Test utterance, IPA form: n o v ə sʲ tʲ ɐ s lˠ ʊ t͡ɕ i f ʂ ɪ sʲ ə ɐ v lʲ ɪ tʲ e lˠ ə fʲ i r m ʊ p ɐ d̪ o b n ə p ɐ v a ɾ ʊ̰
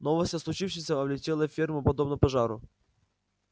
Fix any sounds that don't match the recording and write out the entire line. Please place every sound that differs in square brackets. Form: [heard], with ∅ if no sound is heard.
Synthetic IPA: n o v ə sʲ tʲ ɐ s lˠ ʊ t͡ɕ i f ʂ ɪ sʲ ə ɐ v lʲ ɪ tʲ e lˠ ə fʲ i r m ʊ p ɐ d̪ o b n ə p ɐ [ʐ] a ɾ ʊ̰